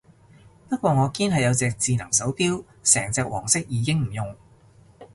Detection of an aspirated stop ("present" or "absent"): absent